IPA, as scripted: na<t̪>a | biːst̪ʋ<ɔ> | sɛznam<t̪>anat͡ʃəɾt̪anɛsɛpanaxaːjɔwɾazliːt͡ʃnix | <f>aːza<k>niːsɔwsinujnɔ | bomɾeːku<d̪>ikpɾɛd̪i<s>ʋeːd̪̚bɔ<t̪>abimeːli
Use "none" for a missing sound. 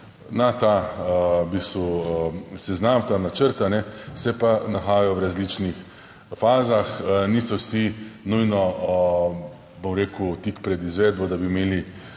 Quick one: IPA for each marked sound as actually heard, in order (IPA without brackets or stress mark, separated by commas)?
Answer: t̪, u, t̪, f, x, t̪, z, d̪